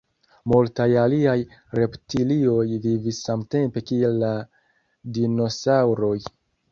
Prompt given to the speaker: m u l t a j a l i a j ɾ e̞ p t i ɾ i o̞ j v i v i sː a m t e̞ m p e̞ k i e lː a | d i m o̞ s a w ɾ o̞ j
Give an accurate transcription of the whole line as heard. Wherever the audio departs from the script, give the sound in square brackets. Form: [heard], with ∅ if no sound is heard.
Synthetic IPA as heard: m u l t a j a l i a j ɾ e̞ p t i [l] i o̞ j v i v i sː a m t e̞ m p e̞ k i e lː a | d i [n] o̞ s a w ɾ o̞ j